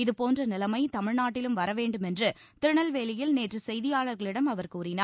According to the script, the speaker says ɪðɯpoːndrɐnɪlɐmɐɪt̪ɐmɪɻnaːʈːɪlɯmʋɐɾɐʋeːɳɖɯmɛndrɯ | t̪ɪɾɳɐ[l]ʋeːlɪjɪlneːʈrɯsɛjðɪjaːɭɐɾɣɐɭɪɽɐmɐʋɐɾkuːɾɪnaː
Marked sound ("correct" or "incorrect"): correct